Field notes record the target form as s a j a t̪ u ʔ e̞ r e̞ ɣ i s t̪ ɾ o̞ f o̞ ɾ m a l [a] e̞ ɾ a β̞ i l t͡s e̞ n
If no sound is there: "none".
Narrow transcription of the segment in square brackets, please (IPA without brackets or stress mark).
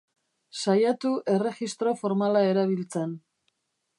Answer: a